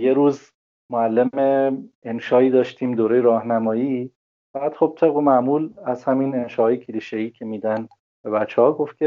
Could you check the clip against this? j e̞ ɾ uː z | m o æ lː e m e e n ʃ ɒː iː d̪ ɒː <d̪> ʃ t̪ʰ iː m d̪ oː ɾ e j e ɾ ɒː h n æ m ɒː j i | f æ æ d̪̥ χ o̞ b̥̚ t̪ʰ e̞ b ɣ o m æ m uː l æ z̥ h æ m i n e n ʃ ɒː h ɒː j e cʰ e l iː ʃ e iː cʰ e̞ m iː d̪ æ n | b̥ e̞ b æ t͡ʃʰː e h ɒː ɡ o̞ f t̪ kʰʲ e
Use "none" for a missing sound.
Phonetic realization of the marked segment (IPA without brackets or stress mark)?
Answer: none